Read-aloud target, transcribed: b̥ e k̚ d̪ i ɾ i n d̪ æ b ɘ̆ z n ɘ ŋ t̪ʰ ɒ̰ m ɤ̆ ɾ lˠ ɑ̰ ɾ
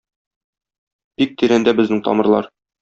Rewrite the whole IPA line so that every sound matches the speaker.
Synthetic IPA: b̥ i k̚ t̪ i ɾ æ n d̪ æ b ɘ̆ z n ɘ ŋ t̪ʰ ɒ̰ m ɤ̆ ɾ lˠ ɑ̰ ɾ

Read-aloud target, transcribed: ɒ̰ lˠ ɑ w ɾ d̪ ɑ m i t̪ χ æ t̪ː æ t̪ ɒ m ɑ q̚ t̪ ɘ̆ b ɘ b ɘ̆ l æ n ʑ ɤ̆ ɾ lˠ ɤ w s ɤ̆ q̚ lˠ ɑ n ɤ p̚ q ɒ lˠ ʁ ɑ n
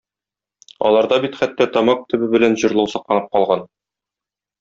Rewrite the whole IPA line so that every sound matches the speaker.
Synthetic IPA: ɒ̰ lˠ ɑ ɾ d̪ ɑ b i t̪ χ æ t̪ː æ t̪ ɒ m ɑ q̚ t̪ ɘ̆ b ɘ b ɘ̆ l æ n ʑ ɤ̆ ɾ lˠ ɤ w s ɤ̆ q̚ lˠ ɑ n ɤ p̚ q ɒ lˠ ʁ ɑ n

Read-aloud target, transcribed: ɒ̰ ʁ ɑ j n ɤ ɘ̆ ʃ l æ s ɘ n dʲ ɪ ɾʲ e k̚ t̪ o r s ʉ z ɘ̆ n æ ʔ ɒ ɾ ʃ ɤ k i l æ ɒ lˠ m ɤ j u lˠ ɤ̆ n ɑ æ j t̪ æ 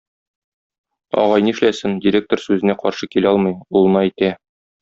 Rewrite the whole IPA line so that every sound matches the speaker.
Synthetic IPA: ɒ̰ ʁ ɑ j n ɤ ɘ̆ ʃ l æ s ɘ n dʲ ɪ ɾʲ e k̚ t̪ o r s ʉ z ɘ̆ n æ q ɒ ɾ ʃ ɤ k i l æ ɒ lˠ m ɤ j u lˠ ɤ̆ n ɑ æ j t̪ æ

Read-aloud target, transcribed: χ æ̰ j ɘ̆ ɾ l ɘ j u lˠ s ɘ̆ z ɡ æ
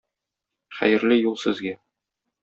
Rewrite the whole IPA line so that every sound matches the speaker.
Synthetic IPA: χ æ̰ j ɘ̆ ɾ l ɘ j u lˠ s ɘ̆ z ɡ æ

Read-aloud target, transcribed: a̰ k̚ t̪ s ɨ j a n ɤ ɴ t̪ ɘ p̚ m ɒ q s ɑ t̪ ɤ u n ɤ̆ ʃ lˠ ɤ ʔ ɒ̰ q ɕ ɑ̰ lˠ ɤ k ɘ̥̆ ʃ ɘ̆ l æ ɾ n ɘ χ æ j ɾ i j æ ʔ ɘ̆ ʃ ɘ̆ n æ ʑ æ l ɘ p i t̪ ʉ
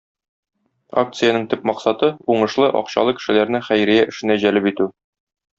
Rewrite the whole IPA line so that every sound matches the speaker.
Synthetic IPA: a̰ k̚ t̪ s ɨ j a n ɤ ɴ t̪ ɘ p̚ m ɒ q s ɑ t̪ ɤ u ɴ ɤ̆ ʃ lˠ ɤ ʔ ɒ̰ q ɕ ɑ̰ lˠ ɤ k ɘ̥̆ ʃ ɘ̆ l æ ɾ n ɘ χ æ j ɾ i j æ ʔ ɘ̆ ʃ ɘ̆ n æ ʑ æ l ɘ p i t̪ ʉ

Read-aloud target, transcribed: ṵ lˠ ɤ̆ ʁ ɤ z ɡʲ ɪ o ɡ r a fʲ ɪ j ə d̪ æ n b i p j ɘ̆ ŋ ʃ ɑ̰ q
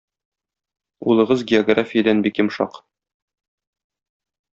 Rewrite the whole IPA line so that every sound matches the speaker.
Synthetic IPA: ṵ lˠ ɤ̆ ʁ ɤ z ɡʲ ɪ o ɡ r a fʲ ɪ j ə d̪ æ n b i k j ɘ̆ m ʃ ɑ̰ q

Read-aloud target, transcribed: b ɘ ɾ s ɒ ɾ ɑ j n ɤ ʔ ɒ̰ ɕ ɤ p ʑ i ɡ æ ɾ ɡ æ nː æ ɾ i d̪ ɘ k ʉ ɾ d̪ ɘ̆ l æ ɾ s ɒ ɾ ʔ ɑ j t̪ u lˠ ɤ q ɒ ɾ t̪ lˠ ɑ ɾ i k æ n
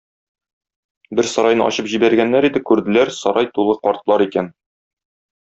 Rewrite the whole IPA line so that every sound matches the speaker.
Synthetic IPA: b ɘ ɾ s ɒ ɾ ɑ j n ɤ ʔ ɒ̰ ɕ ɤ p ʑ i b æ ɾ ɡ æ nː æ ɾ i d̪ ɘ k ʉ ɾ d̪ ɘ̆ l æ ɾ s ɒ ɾ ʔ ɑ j t̪ u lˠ ɤ q ɒ ɾ t̪ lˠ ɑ ɾ i k æ n

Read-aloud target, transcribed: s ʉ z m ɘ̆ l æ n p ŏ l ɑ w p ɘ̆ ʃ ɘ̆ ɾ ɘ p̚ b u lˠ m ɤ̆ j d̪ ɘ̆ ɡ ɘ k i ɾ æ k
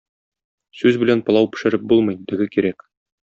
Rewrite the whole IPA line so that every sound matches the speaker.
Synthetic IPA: s ʉ z b ɘ̆ l æ n p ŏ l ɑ w p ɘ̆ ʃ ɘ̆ ɾ ɘ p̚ b u lˠ m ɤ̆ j d̪ ɘ̆ ɡ ɘ k i ɾ æ k

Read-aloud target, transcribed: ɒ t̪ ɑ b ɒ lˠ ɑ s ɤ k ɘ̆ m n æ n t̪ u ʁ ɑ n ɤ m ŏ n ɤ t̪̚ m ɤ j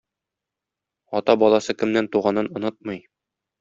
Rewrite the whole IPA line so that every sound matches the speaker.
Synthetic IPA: ɒ t̪ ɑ b ɒ lˠ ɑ s ɤ k ɘ̆ m n æ n t̪ u ʁ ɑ n ɤ n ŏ n ɤ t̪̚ m ɤ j

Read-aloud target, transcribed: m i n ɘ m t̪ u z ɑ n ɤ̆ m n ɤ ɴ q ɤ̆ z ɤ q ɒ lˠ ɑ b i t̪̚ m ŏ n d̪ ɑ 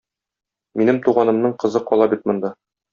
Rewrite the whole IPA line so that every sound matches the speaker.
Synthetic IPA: m i n ɘ m t̪ u ʁ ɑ n ɤ̆ m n ɤ ɴ q ɤ̆ z ɤ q ɒ lˠ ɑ b i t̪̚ m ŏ n d̪ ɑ

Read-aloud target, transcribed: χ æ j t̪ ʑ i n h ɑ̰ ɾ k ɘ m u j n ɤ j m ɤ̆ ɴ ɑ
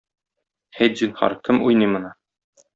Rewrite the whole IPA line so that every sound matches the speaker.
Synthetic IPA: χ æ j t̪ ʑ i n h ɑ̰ ɾ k ɘ m u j n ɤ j m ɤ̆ n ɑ

